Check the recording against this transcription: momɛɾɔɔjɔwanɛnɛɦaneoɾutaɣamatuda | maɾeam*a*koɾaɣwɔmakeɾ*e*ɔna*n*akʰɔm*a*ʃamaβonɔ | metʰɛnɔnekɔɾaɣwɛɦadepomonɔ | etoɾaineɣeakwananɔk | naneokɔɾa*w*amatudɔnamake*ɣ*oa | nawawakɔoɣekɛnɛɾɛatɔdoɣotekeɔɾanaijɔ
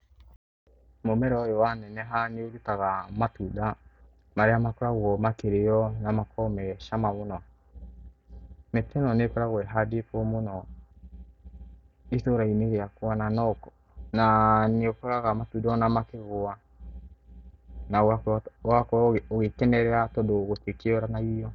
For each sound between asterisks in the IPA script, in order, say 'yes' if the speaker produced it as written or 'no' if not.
yes, yes, no, no, no, yes

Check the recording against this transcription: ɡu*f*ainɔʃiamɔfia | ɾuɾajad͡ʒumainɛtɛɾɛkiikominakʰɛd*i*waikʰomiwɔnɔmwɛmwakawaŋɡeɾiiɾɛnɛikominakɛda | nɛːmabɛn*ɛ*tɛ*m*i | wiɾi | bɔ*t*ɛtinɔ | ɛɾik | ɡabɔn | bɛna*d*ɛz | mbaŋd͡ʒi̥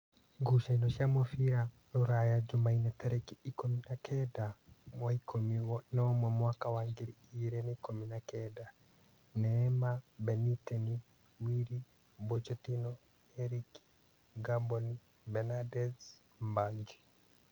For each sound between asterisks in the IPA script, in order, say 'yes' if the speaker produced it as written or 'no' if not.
no, no, no, no, no, yes

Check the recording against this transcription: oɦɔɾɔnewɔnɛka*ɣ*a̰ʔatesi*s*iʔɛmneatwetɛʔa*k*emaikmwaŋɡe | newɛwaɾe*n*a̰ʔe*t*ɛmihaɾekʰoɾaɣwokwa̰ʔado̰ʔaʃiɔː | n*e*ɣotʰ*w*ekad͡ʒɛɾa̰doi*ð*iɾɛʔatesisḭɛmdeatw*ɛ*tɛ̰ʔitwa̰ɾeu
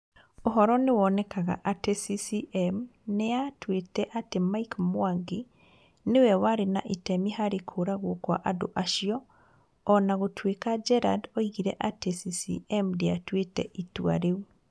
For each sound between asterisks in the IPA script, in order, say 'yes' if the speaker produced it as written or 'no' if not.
yes, yes, no, yes, yes, no, yes, no, no

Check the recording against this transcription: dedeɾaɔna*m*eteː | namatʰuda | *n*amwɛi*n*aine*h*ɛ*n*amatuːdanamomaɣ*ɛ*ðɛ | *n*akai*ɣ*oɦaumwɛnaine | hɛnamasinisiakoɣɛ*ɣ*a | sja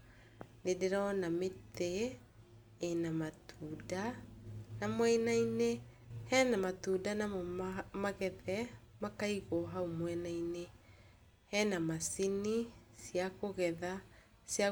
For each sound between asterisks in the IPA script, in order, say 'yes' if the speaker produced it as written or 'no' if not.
yes, yes, yes, yes, yes, yes, no, yes, no

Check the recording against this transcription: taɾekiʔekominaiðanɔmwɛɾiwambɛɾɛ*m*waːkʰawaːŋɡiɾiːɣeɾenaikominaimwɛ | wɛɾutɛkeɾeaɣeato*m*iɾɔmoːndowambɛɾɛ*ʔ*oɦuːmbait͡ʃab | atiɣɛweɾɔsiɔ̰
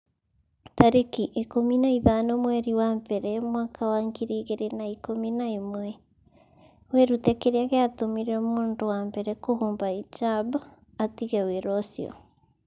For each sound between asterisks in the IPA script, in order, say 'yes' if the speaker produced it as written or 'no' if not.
yes, yes, no

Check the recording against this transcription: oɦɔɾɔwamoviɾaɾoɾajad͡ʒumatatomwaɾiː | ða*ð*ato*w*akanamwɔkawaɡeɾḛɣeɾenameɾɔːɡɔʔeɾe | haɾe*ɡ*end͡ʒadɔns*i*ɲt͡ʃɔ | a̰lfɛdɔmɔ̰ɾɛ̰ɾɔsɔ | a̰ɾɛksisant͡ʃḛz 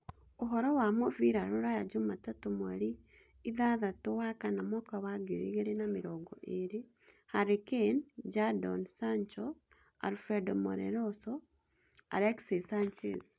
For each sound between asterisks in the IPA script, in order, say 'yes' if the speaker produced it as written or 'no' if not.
yes, yes, no, no

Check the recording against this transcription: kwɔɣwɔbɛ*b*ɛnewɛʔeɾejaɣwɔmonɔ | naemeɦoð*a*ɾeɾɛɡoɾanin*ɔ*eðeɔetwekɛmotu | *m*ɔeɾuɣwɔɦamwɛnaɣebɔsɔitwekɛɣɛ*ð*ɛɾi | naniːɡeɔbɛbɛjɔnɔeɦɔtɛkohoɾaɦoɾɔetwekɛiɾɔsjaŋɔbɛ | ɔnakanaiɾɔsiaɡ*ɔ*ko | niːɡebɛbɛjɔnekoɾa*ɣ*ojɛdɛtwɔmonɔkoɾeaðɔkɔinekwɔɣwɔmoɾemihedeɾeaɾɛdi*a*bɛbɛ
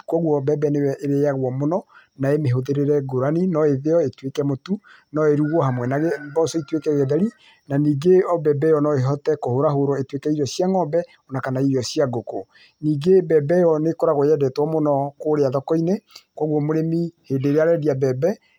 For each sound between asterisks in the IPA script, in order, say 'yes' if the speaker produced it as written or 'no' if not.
yes, no, yes, no, yes, no, yes, yes

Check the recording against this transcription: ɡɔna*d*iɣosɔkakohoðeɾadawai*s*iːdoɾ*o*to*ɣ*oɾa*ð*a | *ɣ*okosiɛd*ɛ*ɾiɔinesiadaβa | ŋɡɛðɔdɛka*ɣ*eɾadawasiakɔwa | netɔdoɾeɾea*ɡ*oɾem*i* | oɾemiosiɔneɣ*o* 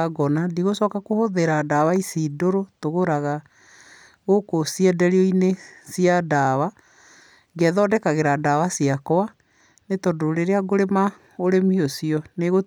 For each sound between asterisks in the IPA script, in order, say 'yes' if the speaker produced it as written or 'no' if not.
yes, yes, yes, yes, no, yes, yes, yes, yes, no, yes

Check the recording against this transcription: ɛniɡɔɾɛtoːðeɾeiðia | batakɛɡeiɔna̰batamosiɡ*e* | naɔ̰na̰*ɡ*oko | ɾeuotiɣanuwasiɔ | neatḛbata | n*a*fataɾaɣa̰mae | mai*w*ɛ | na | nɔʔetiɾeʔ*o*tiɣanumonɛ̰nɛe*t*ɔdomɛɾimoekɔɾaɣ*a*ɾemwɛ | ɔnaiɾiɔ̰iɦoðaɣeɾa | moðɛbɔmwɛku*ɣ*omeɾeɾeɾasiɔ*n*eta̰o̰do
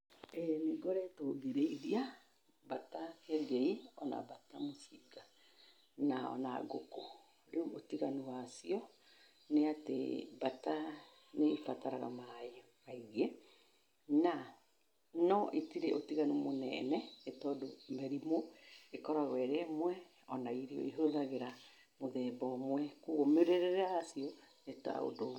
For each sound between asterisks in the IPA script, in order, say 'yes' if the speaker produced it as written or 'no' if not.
no, yes, no, no, yes, yes, no, yes, yes

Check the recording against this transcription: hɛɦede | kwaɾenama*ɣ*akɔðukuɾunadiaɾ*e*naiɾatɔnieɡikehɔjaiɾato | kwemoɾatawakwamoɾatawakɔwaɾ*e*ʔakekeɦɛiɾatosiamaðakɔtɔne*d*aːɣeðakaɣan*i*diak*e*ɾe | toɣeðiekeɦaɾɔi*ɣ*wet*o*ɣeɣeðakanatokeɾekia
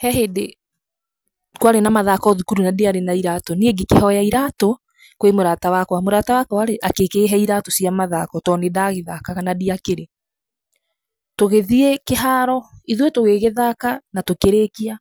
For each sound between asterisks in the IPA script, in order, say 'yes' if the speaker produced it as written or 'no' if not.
no, yes, yes, yes, no, yes, no, yes

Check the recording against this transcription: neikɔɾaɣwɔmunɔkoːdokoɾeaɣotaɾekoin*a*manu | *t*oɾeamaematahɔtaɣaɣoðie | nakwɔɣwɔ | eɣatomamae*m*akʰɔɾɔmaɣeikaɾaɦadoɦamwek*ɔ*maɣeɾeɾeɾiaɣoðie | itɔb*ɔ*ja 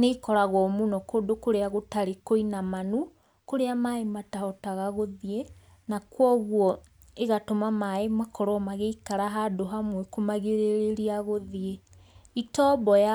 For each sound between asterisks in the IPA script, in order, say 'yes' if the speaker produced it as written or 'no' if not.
yes, no, yes, no, yes

